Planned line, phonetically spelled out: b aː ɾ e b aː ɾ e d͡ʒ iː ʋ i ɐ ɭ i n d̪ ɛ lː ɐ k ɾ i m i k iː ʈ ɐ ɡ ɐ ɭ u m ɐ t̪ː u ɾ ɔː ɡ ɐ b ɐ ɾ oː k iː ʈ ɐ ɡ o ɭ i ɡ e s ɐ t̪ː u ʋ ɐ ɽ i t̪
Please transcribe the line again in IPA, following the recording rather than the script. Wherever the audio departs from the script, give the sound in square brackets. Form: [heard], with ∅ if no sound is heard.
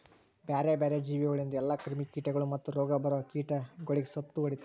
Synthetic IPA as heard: b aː ɾ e b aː ɾ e d͡ʒ iː ʋ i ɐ ɭ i n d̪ ɛ lː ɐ k ɾ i m i k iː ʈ ɐ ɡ ɐ ɭ u m ɐ t̪ː u ɾ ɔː ɡ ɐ b ɐ ɾ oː k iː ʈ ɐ ɡ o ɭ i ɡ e s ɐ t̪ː u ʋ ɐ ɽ i t̪